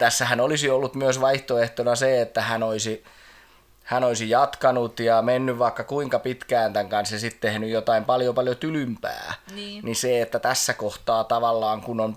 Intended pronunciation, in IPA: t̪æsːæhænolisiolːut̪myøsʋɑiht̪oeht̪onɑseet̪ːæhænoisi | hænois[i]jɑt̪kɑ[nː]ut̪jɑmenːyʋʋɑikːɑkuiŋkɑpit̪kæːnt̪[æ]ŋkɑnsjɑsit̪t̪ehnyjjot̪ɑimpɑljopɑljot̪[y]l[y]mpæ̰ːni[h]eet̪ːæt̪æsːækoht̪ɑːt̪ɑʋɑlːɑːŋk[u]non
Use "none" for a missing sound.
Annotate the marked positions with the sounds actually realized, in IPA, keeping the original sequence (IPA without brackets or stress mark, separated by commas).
i, n, æ, y, y, s, u